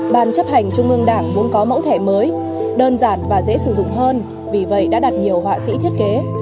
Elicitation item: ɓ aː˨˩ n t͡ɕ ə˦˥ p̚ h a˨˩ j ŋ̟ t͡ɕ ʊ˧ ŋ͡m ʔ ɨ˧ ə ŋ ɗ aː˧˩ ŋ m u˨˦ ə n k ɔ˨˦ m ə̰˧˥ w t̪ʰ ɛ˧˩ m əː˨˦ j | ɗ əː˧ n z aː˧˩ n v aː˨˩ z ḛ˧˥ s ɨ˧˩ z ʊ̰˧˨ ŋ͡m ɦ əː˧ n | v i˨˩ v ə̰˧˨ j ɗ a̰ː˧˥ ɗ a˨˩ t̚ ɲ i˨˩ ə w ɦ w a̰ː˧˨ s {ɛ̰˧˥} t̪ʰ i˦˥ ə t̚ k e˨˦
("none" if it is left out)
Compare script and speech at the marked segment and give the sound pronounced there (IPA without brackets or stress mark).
ḭ˧˥